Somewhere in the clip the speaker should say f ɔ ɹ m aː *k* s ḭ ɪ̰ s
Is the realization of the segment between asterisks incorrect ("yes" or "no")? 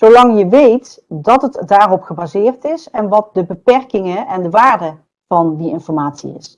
yes